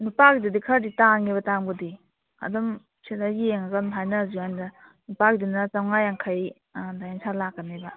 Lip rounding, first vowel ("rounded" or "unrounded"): rounded